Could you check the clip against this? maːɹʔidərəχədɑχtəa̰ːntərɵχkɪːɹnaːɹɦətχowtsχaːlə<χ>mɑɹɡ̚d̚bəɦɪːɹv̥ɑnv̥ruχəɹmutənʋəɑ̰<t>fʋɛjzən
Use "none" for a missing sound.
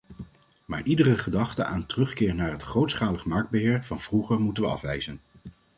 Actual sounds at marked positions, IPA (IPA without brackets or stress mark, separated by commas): χ, none